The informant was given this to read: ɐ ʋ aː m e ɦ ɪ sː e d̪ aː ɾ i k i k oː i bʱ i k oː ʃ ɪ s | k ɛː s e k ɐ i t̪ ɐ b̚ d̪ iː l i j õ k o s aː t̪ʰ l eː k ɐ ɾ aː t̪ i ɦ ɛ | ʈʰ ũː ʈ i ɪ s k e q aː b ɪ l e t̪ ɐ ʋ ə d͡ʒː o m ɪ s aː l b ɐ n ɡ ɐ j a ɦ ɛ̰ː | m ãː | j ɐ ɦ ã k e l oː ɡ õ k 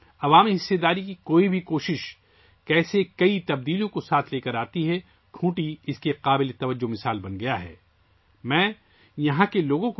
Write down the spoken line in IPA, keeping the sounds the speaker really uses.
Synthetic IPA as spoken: ɐ ʋ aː m i ɦ ɪ sː e d̪ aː ɾ i k i k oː i bʱ i k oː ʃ ɪ ʃ | k ɛː s e k ɐ i t̪ ɐ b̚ d̪ iː l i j õ k o s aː t̪ʰ l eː k ɐ ɾ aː t̪ i ɦ ɛ | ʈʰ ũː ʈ i ɪ s k e q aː b ɪ l e t̪ ɐ ʋ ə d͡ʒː o m ɪ s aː l b ɐ n ɡ ɐ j a ɦ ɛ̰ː | m ɛ̃ː | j ɐ ɦ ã k e l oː ɡ õ k

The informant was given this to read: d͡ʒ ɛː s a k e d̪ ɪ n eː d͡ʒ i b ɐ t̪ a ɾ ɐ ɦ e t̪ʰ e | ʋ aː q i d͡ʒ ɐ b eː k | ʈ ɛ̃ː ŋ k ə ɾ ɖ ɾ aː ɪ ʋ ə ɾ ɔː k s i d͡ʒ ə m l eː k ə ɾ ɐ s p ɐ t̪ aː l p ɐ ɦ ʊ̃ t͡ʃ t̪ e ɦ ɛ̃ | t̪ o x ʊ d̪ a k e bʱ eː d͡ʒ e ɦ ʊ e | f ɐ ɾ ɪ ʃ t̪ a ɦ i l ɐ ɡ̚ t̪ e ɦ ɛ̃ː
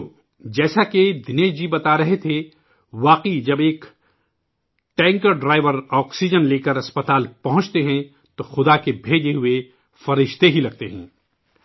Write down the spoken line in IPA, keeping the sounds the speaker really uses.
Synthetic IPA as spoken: d͡ʒ ɛː s a k e d̪ ɪ n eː d͡ʒ i b ɐ t̪ a ɾ ɐ ɦ e t̪ʰ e | ʋ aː q i d͡ʒ ɐ b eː k | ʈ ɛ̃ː ŋ k ə ɾ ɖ ɾ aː ɪ ʋ ə ɾ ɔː k s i d͡ʒ ə n l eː k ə ɾ ɐ s p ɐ t̪ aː l p ɐ ɦ ʊ̃ t͡ʃ t̪ e ɦ ɛ̃ | t̪ o x ʊ d̪ a k e bʱ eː d͡ʒ e ɦ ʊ e | f ɐ ɾ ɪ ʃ t̪ e ɦ i l ɐ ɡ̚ t̪ e ɦ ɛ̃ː

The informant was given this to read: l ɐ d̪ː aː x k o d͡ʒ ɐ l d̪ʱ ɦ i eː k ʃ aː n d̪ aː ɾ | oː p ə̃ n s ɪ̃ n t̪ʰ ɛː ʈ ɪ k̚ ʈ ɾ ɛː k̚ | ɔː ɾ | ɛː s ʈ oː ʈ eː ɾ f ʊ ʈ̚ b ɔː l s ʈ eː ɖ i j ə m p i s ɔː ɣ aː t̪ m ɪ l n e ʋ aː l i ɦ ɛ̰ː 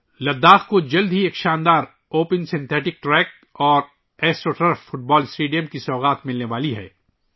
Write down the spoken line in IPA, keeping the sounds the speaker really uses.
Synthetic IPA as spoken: l ɐ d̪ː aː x k o d͡ʒ ɐ l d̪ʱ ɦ i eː k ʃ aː n d̪ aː ɾ | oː p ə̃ n s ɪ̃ n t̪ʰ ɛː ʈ ɪ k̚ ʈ ɾ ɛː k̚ | ɔː ɾ | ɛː s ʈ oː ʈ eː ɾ f ʊ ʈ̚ b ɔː l s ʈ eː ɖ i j ə m k i s ɔː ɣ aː t̪ m ɪ l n e ʋ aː l i ɦ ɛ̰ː

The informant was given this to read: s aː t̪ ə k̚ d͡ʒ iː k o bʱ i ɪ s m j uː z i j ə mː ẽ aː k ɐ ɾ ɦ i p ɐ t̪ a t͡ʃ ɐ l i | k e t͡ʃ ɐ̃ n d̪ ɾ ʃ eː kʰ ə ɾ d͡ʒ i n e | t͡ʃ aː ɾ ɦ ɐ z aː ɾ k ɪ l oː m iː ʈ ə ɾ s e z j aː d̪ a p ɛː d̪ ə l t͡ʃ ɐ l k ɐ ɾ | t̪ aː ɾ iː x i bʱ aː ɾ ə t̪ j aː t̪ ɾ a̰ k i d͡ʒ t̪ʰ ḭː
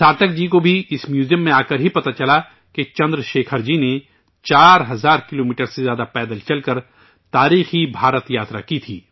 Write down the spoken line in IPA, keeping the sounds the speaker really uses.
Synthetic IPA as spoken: s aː t̪ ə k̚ d͡ʒ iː k o bʱ i ɪ s m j uː z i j ə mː ẽ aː k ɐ ɾ ɦ i p ɐ t̪ a t͡ʃ ɐ l a | k e t͡ʃ ɐ̃ n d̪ ɾ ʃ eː kʰ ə ɾ d͡ʒ i n e | t͡ʃ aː ɾ ɦ ɐ z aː ɾ k ɪ l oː m iː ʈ ə ɾ s e z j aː d̪ a p ɛː d̪ ə l t͡ʃ ɐ l k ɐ ɾ | t̪ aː ɾ iː x i bʱ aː ɾ ə t̪ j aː t̪ ɾ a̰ k i t̪ʰ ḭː

